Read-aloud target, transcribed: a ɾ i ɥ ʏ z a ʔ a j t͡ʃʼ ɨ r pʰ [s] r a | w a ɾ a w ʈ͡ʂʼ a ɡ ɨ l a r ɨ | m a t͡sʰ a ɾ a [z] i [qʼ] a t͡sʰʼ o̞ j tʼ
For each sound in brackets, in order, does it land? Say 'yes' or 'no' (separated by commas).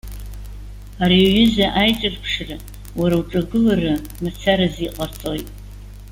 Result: no, yes, yes